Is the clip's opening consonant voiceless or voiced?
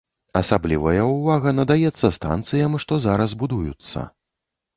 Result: voiceless